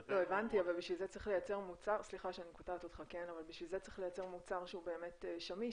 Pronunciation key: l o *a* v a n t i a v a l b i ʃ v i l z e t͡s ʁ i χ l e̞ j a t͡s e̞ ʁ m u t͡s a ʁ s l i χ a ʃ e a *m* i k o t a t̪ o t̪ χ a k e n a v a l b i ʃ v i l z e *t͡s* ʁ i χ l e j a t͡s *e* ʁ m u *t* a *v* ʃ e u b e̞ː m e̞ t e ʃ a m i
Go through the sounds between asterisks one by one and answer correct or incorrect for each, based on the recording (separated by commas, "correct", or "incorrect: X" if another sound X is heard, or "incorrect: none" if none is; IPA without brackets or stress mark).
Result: incorrect: e, incorrect: n, correct, correct, incorrect: t͡s, incorrect: ʁ